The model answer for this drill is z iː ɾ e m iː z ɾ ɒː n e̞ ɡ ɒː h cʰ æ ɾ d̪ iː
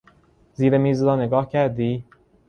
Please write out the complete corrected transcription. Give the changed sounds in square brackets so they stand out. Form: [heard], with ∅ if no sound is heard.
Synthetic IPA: z iː ɾ e m iː z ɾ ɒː n e̞ ɡ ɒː h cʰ æ ɾ d̪ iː